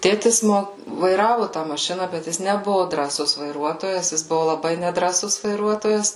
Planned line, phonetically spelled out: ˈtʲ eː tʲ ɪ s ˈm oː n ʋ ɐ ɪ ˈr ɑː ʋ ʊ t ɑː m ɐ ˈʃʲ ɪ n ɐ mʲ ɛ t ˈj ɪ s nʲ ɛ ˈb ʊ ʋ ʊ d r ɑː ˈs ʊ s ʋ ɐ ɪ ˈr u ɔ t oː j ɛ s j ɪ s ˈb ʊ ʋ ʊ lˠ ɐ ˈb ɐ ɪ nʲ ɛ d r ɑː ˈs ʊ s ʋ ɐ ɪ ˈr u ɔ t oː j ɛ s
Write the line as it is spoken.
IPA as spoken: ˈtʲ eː tʲ ɪ s ˈm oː ʋ ɐ ɪ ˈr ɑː ʋ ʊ t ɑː m ɐ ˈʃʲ ɪ n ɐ bʲ ɛ t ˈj ɪ s nʲ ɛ ˈb ʊ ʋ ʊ d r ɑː ˈs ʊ s ʋ ɐ ɪ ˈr u ɔ t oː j ɛ s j ɪ s ˈb ʊ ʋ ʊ lˠ ɐ ˈb ɐ ɪ nʲ ɛ d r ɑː ˈs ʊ s ʋ ɐ ɪ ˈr u ɔ t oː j ɛ s